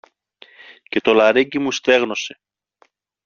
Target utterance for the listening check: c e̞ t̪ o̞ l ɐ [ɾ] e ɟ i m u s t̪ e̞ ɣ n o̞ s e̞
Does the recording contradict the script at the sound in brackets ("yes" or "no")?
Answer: no